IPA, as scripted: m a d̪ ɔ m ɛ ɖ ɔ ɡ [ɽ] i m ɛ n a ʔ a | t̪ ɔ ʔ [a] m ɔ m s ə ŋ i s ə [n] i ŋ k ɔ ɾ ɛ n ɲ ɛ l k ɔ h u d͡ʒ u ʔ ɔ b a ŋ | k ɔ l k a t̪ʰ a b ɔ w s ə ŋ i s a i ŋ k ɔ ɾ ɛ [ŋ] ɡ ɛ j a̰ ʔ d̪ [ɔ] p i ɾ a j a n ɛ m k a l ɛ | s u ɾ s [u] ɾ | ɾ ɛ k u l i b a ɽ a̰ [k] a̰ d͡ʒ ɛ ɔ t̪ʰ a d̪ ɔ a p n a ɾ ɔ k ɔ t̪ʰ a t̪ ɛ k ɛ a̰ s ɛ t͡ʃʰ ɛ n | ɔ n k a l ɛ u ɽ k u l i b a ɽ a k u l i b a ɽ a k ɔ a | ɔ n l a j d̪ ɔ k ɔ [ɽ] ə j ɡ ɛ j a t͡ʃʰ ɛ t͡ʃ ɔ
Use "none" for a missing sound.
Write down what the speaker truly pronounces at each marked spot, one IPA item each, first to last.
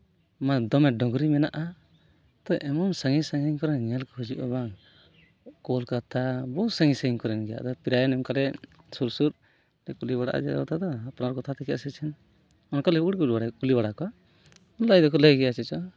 ɾ, ɛ, ŋ, n, ɔ, u, ʔ, l

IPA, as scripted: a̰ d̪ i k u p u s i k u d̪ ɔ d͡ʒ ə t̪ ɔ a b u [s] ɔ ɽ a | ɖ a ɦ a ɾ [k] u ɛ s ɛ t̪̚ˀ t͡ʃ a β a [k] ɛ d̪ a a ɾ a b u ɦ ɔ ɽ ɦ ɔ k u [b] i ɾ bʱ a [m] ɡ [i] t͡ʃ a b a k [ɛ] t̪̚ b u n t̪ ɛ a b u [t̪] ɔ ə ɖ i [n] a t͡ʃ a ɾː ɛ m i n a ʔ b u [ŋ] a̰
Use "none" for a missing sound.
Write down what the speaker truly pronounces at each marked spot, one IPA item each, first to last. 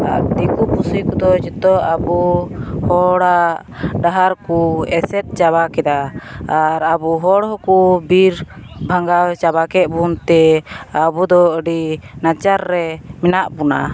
h, k, k, b, ŋ, a, ɛ, d̪, n, n

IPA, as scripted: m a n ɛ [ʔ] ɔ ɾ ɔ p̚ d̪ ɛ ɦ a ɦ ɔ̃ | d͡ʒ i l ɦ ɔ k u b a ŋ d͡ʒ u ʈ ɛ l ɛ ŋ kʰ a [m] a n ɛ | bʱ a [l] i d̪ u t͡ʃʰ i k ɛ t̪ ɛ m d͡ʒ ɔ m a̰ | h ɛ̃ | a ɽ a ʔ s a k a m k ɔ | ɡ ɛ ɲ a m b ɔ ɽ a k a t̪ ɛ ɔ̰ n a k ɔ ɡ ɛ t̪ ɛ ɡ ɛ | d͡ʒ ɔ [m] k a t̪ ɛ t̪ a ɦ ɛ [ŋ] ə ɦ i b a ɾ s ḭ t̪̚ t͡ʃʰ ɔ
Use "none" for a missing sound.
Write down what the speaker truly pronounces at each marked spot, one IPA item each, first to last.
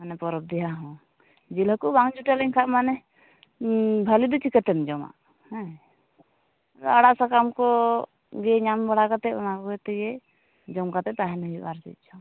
p, m, l, m, n

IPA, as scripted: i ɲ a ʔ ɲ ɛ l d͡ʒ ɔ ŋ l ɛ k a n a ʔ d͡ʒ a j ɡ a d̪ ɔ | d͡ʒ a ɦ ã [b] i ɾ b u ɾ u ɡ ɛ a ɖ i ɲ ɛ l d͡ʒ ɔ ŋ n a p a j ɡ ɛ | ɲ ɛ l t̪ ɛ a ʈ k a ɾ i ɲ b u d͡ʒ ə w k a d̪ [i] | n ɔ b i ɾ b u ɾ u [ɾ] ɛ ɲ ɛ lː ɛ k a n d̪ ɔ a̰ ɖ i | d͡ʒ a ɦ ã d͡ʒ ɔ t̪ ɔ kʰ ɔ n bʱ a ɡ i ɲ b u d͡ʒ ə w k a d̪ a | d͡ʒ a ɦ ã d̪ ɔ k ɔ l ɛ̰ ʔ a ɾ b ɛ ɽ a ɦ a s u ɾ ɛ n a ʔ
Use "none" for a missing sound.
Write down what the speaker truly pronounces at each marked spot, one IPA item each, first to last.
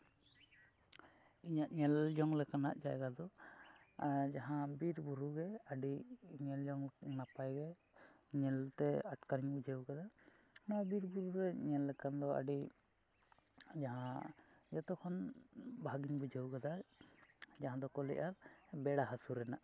b, a, ɾ

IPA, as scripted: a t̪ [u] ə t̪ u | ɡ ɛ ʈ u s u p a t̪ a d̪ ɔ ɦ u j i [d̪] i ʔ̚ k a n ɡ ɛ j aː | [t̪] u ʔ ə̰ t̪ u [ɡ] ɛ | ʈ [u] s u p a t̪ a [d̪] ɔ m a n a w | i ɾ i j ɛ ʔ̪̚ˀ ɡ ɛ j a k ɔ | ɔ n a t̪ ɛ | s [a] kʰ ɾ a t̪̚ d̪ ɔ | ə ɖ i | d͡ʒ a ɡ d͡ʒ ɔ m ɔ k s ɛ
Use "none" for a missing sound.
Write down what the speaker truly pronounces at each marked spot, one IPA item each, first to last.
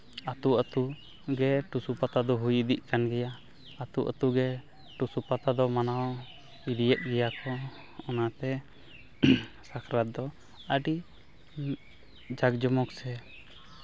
u, d̪, t̪, ɡ, u, d̪, a

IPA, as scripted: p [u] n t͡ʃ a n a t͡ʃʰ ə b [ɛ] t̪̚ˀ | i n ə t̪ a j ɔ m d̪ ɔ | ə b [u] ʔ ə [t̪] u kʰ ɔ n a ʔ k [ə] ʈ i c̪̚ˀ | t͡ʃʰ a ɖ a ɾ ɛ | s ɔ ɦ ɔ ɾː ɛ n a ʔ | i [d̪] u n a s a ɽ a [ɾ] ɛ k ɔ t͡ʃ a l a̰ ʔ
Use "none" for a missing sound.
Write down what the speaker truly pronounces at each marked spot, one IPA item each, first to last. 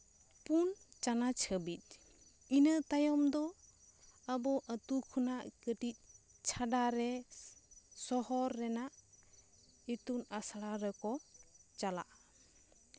u, i, ɔ, t̪, ə, t̪, ɾ

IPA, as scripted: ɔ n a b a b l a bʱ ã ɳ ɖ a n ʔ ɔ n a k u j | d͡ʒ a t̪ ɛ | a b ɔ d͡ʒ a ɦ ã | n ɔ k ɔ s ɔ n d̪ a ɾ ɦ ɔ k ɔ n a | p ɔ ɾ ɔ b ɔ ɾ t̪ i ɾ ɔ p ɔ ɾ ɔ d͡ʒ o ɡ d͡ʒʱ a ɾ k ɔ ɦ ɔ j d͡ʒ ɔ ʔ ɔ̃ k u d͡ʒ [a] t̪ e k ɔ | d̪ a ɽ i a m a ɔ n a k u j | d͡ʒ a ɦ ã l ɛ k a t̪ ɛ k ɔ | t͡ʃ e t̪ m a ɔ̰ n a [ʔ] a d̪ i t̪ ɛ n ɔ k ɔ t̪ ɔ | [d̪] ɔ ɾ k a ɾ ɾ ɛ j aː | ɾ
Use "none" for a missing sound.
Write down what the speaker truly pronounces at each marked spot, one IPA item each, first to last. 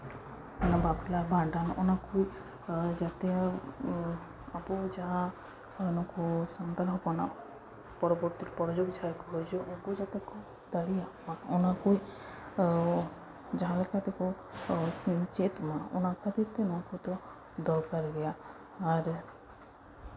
a, k, d̪

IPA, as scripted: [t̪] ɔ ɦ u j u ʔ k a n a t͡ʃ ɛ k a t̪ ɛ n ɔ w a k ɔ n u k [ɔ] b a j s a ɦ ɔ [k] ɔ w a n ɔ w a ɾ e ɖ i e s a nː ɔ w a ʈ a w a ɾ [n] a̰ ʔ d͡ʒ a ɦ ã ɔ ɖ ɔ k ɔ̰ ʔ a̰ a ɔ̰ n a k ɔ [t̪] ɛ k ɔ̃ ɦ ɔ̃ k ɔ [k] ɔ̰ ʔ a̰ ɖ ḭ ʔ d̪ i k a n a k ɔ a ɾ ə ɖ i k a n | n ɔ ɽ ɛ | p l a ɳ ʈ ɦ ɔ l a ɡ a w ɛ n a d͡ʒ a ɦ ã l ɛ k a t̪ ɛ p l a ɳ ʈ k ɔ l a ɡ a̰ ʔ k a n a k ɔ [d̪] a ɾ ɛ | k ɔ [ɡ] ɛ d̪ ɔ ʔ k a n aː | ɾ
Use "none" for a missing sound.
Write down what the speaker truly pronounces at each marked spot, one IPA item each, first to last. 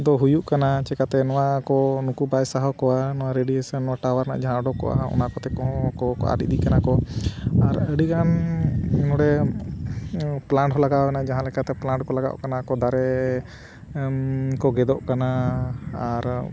d̪, u, k, n, t̪, k, d̪, ɡ

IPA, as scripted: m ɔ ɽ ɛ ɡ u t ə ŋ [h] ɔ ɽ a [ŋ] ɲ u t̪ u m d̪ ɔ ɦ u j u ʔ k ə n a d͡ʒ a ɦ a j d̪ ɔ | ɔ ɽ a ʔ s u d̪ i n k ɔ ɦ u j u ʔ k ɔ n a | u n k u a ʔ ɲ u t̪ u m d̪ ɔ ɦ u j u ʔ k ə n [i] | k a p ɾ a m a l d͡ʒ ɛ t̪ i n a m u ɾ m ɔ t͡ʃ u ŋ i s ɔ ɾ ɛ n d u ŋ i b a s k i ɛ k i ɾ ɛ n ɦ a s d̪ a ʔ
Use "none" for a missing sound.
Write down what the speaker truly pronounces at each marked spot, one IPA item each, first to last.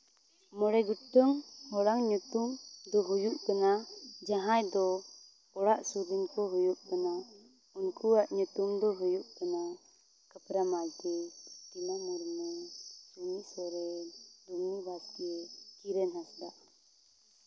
h, ŋ, a

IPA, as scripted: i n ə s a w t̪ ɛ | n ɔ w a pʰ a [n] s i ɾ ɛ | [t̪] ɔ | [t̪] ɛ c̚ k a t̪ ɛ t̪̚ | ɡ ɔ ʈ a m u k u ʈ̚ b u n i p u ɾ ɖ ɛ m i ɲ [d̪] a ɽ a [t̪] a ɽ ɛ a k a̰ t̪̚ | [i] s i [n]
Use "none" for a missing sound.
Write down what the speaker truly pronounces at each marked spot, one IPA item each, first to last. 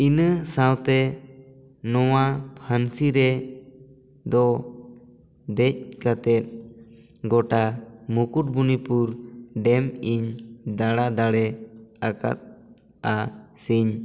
n, d̪, d̪, d̪, d̪, a, ɲ

